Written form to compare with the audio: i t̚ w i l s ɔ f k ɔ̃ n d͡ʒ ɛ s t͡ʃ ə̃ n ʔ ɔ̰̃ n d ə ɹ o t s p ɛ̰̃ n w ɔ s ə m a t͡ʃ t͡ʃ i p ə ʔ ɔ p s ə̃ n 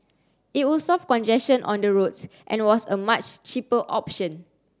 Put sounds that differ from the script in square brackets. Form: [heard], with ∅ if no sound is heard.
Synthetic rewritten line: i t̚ w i l s ɔ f k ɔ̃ n d͡ʒ ɛ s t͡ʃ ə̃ n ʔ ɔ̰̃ n d ə ɹ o t s [ʔ] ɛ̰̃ n w ɔ s ə m a t͡ʃ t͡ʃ i p ə ʔ ɔ p [ʃ] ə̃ n